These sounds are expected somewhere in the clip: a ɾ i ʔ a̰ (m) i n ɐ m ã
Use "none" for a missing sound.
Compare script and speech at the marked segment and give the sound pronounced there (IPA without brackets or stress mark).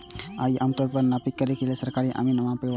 m